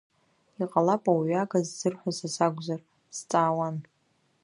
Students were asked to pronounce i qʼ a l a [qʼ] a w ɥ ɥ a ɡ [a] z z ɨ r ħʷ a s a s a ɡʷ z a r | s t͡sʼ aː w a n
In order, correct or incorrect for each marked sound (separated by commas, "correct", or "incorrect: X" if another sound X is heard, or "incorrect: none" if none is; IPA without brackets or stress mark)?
incorrect: pʼ, correct